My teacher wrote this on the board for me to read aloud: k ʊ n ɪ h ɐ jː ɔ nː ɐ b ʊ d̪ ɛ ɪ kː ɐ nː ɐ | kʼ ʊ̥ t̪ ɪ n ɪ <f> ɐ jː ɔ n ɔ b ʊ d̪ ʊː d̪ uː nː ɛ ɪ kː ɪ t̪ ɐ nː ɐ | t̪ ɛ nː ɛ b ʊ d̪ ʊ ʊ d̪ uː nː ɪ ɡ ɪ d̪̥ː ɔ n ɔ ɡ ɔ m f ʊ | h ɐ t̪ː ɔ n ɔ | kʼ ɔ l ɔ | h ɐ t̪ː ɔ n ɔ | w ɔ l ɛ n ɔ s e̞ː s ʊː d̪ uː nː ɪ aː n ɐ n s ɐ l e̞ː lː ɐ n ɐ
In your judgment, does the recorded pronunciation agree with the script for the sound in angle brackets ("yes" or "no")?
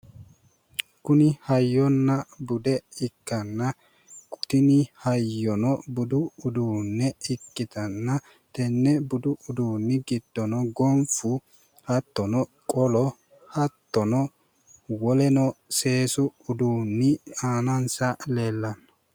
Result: no